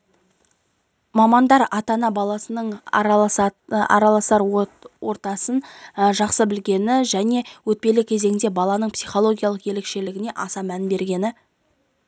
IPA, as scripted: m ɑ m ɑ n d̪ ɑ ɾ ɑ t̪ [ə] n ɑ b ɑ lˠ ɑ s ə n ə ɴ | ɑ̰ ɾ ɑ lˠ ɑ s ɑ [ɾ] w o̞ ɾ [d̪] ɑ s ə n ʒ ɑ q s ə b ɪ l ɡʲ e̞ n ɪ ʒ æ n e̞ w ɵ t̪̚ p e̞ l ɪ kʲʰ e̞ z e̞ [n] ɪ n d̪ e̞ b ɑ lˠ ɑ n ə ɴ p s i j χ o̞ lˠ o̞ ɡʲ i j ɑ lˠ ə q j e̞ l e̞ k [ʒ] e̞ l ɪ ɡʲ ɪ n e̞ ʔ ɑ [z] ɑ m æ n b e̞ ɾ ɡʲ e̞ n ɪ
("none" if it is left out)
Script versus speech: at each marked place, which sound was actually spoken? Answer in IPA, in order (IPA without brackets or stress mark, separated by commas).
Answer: ɑ, ɾ, t̪, ŋ, ʃ, s